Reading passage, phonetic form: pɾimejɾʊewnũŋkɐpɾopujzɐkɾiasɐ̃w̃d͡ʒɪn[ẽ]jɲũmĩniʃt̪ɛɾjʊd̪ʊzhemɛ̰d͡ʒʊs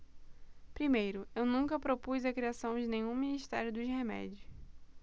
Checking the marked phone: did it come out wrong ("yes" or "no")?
no